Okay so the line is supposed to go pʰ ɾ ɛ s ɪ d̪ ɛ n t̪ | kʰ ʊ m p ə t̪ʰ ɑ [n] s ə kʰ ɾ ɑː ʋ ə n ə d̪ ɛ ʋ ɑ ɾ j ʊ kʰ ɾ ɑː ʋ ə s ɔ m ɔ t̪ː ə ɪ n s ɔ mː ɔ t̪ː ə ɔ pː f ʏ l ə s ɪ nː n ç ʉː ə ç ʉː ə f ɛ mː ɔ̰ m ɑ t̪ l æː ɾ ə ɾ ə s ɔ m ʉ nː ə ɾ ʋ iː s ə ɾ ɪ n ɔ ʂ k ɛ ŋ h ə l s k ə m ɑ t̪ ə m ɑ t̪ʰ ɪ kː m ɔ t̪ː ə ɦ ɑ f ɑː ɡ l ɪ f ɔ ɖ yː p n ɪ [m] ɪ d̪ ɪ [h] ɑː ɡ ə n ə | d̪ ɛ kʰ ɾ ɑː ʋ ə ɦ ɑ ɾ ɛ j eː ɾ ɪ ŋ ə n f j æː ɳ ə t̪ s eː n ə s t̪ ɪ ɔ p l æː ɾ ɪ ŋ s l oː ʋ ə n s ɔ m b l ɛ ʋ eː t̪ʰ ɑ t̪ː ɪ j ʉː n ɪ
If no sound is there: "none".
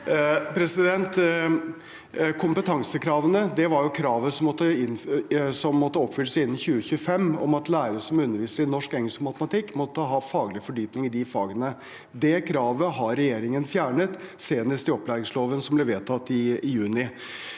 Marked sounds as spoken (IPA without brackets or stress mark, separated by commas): ŋ, ŋ, f